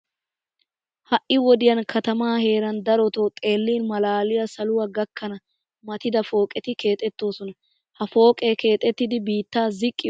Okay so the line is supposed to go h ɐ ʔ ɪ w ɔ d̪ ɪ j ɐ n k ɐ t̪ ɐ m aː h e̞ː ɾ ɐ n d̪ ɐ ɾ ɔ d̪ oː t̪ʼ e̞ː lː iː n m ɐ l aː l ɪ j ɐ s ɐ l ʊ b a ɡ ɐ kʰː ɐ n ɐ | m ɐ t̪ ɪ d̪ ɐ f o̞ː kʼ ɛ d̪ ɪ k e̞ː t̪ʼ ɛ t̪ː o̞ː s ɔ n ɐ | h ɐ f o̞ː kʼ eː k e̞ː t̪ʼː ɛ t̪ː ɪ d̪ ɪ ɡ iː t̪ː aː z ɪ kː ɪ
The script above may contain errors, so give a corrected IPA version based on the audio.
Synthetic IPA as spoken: h ɐ ʔ ɪ w ɔ d̪ ɪ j ɐ n k ɐ t̪ ɐ m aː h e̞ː ɾ ɐ n d̪ ɐ ɾ ɔ t̪ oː t̪ʼ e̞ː lː iː n m ɐ l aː l ɪ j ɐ s ɐ l ʊ w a ɡ ɐ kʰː ɐ n ɐ | m ɐ t̪ ɪ d̪ ɐ f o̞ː kʼ ɛ t̪ ɪ k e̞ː t̪ʼ ɛ t̪ː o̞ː s ɔ n ɐ | h ɐ f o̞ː kʼ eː k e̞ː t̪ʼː ɛ t̪ː ɪ d̪ ɪ b iː t̪ː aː z ɪ kʼː ɪ